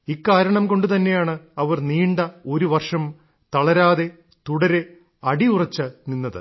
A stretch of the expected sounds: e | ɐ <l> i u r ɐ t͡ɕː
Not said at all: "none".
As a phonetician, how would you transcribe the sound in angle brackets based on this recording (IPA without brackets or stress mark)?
ɽ